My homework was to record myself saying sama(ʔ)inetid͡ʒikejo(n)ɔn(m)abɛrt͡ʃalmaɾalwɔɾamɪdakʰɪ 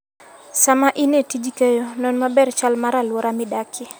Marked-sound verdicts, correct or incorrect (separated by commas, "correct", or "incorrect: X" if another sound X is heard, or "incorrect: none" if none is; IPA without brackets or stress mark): correct, correct, correct